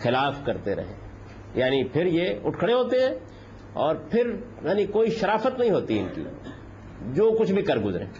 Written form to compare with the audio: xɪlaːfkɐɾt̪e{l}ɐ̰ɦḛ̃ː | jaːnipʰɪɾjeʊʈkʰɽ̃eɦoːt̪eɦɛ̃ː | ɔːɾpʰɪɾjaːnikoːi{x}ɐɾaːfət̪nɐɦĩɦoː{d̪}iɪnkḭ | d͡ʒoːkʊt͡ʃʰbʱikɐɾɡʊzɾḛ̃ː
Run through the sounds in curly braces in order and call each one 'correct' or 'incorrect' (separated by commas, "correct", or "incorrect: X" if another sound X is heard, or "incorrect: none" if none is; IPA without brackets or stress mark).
incorrect: ɾ, incorrect: ʃ, incorrect: t̪